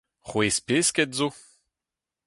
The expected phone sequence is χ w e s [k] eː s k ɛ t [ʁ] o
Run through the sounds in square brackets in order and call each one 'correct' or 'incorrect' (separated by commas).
incorrect, incorrect